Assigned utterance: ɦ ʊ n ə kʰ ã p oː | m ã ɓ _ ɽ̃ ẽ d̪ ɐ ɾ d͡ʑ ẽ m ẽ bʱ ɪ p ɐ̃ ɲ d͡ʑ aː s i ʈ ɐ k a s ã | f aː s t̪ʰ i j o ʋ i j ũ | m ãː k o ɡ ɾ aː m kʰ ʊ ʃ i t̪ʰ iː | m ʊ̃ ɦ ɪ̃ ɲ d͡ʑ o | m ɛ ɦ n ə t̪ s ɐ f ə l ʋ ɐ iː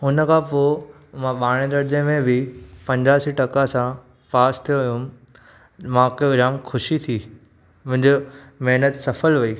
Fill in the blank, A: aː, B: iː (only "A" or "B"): A